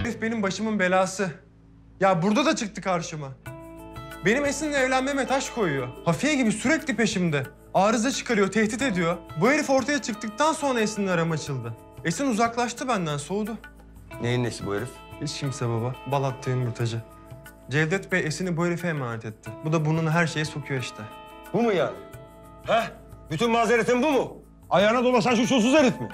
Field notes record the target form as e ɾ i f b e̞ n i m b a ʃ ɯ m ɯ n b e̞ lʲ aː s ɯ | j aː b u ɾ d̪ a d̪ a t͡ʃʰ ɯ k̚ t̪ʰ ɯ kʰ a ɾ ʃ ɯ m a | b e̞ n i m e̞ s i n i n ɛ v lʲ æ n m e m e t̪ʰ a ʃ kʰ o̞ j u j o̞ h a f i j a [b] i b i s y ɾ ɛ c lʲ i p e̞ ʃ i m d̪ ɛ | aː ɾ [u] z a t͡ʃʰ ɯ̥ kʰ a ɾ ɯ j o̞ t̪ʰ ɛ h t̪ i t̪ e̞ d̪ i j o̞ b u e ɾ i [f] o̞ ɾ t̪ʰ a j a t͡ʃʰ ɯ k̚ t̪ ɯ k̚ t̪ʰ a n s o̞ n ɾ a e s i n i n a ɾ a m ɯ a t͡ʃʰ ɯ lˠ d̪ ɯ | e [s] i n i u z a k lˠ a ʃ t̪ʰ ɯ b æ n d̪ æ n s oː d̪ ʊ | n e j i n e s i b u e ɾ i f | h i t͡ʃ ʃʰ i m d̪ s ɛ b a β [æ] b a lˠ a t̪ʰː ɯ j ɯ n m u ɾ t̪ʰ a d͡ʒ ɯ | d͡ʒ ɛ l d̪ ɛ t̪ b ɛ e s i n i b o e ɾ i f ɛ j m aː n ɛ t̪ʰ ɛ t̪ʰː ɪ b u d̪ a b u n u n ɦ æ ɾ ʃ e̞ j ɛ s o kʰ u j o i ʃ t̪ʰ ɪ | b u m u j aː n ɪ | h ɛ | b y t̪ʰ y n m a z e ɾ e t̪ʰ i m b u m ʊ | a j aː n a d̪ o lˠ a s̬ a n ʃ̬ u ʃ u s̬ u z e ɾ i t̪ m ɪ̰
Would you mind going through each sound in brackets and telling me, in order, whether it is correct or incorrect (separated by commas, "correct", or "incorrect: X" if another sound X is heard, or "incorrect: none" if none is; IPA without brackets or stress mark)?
incorrect: ɟ, incorrect: ɯ, correct, correct, incorrect: a